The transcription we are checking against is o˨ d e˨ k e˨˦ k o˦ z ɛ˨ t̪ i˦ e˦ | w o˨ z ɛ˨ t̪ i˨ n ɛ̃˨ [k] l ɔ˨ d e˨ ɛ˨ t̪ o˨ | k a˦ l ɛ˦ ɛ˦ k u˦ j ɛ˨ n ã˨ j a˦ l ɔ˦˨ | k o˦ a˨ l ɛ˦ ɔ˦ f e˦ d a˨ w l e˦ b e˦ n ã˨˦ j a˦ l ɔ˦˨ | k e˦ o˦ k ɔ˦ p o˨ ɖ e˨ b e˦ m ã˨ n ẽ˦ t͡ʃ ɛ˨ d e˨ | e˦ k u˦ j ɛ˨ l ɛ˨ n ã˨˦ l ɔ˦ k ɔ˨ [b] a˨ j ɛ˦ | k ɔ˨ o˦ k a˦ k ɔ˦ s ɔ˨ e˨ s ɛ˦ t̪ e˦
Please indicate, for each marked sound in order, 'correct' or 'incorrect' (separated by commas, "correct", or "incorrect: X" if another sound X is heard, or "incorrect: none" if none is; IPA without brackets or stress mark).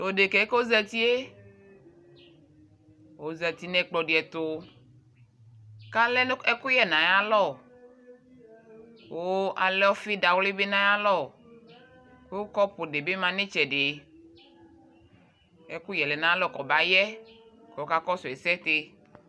incorrect: k͡p, correct